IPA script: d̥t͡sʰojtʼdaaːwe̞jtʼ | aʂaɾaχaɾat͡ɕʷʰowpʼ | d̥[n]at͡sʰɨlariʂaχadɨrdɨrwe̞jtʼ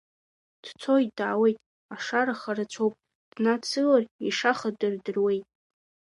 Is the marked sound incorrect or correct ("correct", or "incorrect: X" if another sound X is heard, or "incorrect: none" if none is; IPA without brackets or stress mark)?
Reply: correct